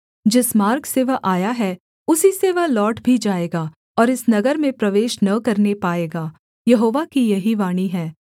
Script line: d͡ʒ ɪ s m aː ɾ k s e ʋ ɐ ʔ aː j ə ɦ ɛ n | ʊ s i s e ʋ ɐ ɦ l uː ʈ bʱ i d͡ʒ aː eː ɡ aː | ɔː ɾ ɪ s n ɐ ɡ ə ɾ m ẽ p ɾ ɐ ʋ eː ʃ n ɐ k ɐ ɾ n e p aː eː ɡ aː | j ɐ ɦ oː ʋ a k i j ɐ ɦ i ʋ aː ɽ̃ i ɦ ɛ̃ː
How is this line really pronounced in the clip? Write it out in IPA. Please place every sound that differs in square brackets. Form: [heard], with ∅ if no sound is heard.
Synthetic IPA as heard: d͡ʒ ɪ s m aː ɾ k s e ʋ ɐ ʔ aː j [a] ɦ ɛ [∅] | ʊ s i s e ʋ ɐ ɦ l [ɔː] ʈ bʱ i d͡ʒ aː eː ɡ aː | ɔː ɾ ɪ s n ɐ ɡ ə ɾ m ẽ p ɾ ɐ ʋ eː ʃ n ɐ k ɐ ɾ n e p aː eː ɡ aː | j ɐ ɦ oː ʋ a k i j ɐ ɦ i ʋ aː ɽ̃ i ɦ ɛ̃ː